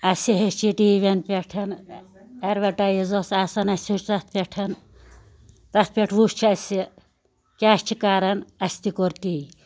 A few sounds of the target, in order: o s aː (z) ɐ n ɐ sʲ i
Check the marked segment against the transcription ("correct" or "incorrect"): incorrect